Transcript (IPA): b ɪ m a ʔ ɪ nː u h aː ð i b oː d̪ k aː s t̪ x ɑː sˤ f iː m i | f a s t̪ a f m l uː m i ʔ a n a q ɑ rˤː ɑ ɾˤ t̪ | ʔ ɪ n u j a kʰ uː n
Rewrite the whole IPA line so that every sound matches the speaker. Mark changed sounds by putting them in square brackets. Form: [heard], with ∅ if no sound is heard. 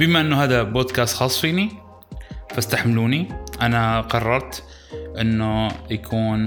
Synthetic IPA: b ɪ m a ʔ ɪ nː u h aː ð [a] b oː d̪ k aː s t̪ x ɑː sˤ f iː [n] i | f a s t̪ a [ħ] m l uː [n] i ʔ a n a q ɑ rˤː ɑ ɾˤ t̪ | ʔ ɪ [nː] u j a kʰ uː n